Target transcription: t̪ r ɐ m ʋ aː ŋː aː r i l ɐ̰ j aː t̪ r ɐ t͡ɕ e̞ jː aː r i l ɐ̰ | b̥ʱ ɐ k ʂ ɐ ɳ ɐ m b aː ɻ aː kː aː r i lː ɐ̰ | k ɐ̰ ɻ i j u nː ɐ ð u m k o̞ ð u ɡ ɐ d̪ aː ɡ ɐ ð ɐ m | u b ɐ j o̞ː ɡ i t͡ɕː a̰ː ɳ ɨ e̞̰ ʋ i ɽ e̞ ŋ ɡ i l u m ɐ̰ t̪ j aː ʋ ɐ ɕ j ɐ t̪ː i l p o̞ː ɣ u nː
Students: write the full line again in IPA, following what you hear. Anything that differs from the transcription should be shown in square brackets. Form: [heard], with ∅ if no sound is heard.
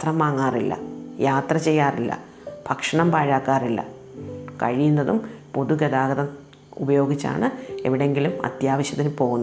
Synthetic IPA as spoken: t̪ r ɐ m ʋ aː ŋː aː r i [lː] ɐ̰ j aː t̪ r ɐ t͡ɕ e̞ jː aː r i [lː] ɐ̰ | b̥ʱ ɐ k ʂ ɐ ɳ ɐ m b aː ɻ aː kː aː r i lː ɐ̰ | k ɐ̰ ɻ i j u nː ɐ ð u m [p] o̞ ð u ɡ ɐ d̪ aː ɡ ɐ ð ɐ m | u b ɐ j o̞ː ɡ i t͡ɕː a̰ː ɳ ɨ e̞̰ ʋ i ɽ e̞ ŋ ɡ i l u m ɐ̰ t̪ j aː ʋ ɐ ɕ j ɐ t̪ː i l p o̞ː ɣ u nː